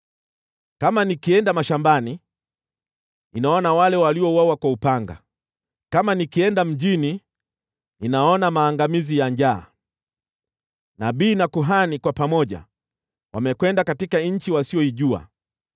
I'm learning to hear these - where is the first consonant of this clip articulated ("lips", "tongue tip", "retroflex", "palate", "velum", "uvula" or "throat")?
velum